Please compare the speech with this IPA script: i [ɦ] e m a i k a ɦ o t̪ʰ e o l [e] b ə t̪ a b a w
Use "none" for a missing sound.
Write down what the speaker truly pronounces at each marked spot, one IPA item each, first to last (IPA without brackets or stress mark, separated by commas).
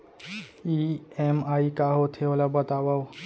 none, a